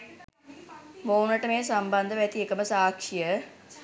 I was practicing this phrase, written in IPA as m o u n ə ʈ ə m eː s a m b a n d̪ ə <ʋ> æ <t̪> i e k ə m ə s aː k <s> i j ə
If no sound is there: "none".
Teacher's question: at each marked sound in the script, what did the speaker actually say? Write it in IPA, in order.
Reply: ʋ, t̪, ʂ

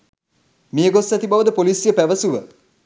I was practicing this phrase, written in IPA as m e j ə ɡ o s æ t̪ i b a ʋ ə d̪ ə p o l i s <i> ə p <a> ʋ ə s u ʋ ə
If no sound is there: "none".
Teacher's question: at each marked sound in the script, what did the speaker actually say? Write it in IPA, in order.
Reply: j, æ

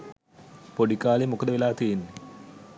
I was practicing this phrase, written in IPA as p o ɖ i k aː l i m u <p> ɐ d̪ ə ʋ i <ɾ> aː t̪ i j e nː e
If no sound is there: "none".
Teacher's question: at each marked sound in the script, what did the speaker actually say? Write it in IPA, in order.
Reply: k, l

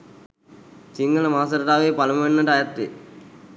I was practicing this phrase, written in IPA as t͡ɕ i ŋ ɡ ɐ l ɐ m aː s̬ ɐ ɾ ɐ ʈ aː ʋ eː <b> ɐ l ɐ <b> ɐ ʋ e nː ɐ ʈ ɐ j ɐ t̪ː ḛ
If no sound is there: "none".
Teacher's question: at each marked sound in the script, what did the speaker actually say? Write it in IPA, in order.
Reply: p, m

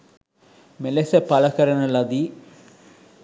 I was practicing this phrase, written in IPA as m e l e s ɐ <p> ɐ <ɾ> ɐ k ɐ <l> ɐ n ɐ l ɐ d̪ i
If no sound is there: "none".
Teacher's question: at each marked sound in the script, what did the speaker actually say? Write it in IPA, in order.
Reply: p, l, ɾ

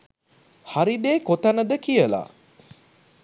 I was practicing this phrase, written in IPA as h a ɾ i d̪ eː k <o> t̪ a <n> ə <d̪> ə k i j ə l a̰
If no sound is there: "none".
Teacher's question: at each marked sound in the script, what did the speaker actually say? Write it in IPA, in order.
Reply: o, n, d̪

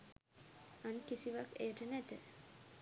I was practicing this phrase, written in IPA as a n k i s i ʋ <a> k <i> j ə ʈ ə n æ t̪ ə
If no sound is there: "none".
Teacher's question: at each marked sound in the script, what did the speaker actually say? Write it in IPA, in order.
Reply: a, e

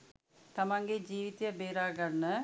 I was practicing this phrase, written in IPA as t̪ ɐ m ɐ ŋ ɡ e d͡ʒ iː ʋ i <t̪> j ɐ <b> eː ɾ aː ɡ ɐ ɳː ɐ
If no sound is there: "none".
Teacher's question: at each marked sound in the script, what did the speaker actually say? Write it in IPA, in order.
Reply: t̪, b

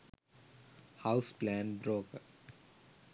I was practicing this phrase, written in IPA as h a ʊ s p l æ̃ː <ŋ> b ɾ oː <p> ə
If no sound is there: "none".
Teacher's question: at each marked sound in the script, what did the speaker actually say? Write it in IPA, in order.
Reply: n, k

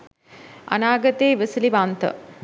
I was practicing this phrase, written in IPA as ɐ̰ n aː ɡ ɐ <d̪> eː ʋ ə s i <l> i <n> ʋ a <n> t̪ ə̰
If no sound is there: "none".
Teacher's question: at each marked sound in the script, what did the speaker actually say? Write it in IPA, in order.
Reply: t̪, l, none, n

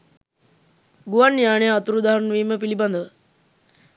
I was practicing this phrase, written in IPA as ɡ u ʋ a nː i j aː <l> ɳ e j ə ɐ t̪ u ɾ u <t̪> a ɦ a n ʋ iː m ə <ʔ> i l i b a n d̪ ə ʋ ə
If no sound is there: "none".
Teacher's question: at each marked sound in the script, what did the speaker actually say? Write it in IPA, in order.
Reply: none, d̪, p

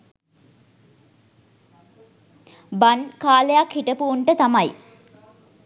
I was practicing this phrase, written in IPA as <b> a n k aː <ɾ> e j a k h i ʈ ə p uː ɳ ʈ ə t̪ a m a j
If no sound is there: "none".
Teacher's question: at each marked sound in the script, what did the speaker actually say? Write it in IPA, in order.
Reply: b, l

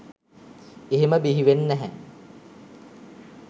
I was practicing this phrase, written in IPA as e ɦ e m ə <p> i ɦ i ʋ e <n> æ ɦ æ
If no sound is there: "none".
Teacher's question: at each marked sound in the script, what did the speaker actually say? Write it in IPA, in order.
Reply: b, nː

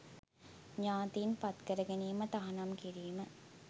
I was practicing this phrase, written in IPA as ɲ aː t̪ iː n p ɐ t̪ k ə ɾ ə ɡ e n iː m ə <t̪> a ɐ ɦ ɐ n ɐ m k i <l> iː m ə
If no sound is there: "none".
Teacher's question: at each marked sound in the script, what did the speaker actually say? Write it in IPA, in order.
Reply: t̪, ɾ

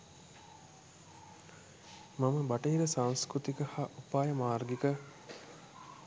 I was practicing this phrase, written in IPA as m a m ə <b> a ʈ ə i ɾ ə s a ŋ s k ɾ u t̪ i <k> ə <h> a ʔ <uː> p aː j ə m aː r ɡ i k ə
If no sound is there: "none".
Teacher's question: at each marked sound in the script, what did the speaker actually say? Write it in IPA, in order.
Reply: b, k, h, u

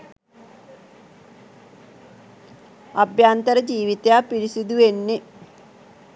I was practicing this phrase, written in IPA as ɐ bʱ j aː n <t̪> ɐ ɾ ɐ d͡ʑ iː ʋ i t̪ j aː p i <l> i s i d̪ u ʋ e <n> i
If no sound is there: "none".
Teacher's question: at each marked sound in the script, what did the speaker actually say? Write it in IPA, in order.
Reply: t̪, ɾ, nː

